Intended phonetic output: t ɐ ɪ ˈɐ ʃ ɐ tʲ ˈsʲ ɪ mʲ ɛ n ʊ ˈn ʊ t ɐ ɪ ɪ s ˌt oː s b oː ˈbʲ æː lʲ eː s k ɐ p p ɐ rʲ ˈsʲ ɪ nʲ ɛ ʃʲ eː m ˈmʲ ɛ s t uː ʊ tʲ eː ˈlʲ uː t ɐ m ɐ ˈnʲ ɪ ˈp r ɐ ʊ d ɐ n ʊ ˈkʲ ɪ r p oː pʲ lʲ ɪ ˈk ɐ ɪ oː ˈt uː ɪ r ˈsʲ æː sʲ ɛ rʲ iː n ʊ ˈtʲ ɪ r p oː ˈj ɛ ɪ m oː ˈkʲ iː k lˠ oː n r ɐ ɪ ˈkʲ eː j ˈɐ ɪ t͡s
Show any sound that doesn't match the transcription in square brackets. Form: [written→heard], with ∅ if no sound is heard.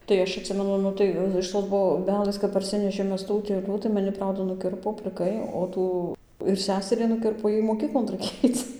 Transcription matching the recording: t ɐ ɪ ˈɐ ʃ ɐ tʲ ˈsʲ ɪ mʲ ɛ n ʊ ˈn ʊ t ɐ ɪ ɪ [s→ʃ] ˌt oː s b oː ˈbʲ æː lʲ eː s k ɐ p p ɐ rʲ ˈsʲ ɪ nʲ ɛ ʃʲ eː m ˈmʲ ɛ s t uː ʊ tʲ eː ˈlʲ uː t ɐ m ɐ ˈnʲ ɪ ˈp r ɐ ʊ d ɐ n ʊ ˈkʲ ɪ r p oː pʲ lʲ ɪ ˈk ɐ ɪ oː ˈt uː ɪ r ˈsʲ æː sʲ ɛ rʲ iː n ʊ [ˈtʲ→ˈkʲ] ɪ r p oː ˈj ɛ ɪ m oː ˈkʲ iː k lˠ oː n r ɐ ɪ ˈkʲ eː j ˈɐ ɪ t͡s